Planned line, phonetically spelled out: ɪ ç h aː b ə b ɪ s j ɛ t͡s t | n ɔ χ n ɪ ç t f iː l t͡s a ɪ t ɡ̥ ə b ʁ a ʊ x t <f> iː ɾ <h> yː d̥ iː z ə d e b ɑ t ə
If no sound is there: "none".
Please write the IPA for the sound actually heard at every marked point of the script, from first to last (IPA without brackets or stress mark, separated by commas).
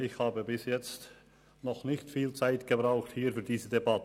h, f